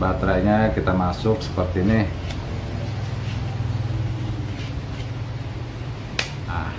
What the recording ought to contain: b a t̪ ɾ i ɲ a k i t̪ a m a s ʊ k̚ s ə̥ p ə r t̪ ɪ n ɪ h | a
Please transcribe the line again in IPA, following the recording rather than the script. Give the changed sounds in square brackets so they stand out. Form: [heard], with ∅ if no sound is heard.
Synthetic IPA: b a t̪ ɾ [a] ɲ a k i t̪ a m a s ʊ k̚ s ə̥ p ə r t̪ [i] n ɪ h | a